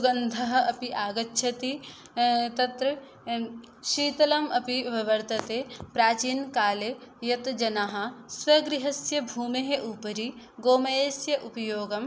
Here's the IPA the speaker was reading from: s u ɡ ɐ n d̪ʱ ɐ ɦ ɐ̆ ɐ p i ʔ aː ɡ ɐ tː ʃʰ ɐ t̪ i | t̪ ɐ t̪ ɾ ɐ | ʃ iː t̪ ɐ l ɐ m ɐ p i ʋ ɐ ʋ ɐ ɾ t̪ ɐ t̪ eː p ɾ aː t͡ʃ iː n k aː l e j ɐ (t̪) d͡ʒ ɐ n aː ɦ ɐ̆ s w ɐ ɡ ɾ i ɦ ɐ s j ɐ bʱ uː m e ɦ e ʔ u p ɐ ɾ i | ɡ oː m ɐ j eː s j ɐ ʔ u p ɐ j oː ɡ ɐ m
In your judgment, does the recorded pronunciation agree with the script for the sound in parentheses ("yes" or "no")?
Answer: yes